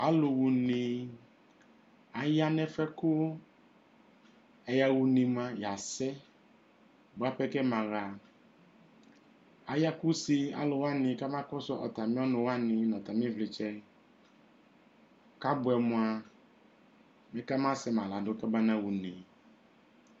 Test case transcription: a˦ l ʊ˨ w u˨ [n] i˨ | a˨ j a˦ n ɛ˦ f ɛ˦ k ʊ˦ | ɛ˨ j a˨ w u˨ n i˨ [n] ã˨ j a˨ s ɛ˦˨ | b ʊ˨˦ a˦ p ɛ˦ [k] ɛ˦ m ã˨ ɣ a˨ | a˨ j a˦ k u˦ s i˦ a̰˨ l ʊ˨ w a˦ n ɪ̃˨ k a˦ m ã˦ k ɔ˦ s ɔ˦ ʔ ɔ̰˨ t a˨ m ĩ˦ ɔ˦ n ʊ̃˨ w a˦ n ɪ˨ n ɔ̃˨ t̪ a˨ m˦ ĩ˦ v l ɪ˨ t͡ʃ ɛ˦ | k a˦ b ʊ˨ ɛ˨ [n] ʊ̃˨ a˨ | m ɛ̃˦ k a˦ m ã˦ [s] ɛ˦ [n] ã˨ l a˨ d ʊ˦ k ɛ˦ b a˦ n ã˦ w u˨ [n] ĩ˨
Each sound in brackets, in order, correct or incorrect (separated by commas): correct, incorrect, correct, incorrect, correct, incorrect, correct